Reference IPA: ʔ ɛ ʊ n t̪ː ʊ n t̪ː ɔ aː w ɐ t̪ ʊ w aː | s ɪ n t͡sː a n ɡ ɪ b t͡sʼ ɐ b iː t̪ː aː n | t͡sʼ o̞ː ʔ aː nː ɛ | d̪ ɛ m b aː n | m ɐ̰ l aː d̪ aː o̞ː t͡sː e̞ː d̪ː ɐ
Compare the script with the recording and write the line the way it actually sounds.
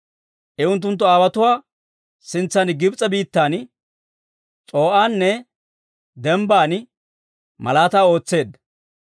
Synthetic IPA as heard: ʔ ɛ ʊ n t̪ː ʊ n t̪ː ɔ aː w ɐ t̪ ʊ w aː | s ɪ n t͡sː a n ɡ ɪ b t͡sʼ ɐ b iː t̪ː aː n | t͡sʼ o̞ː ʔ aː nː ɛ | d̪ ɛ m b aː n | m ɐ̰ l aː t̪ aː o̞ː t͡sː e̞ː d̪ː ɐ